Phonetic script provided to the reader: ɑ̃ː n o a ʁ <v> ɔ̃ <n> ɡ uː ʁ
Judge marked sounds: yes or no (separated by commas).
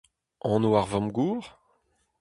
yes, no